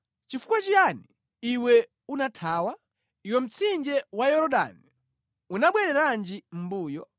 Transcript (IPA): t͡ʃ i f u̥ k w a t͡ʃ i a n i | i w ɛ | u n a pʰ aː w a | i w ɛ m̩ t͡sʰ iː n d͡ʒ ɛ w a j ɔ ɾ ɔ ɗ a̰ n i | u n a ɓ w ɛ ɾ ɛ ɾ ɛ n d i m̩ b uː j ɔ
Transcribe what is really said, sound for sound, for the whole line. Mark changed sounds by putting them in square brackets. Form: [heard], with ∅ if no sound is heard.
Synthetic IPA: t͡ʃ i f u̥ k w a t͡ʃ i a n i | i w ɛ | u n a [tʰ] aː w a | i w ɛ m̩ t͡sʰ [i] n d͡ʒ ɛ w a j ɔ ɾ ɔ ɗ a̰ n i | u n a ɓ w ɛ ɾ ɛ ɾ [a] n [d͡ʒ] i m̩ b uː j ɔ